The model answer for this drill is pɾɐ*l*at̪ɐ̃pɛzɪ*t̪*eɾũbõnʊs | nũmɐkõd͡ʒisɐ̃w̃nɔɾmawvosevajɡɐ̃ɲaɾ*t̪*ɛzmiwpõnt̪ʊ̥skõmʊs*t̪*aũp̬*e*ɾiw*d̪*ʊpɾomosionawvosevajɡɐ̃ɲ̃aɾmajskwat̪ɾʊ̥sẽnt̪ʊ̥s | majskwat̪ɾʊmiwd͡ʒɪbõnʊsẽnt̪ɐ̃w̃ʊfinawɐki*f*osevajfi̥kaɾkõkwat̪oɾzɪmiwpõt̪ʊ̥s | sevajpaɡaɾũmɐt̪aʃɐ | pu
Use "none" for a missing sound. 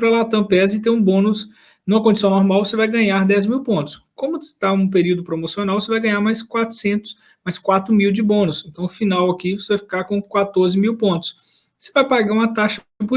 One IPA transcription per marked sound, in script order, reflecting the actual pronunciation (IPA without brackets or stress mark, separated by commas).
l, t̪, d̪, t̪, e, d̪, v